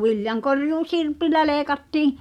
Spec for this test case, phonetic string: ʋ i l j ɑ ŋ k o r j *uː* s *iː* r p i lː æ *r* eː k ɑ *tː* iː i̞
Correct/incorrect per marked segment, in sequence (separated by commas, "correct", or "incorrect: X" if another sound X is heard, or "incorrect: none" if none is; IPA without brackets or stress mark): correct, incorrect: i, incorrect: l, correct